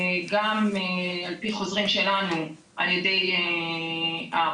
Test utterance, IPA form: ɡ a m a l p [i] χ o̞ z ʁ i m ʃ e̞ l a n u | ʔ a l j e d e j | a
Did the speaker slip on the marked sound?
no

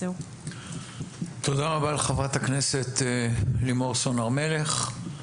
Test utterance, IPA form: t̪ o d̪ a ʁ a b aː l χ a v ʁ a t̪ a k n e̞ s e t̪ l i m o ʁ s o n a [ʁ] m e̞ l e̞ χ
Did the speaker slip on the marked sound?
no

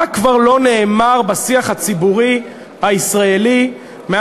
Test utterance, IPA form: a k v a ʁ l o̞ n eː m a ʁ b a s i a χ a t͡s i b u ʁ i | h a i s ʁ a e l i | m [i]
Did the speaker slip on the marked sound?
yes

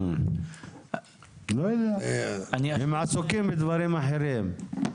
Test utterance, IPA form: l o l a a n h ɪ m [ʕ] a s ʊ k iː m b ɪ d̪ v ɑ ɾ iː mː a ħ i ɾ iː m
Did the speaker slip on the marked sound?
no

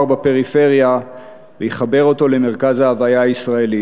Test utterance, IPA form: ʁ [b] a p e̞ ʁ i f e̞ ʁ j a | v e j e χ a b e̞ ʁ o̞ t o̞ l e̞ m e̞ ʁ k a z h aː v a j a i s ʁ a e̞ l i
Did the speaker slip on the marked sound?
no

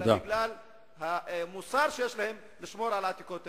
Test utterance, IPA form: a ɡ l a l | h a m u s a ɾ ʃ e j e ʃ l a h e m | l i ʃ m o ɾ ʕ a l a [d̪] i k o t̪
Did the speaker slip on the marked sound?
yes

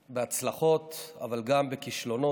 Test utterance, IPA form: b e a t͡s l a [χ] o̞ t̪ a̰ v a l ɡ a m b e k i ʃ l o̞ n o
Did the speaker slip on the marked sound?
no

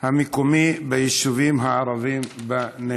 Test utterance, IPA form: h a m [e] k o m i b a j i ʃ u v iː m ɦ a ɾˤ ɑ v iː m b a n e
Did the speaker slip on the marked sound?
yes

